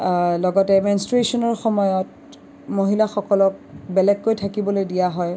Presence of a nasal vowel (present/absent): absent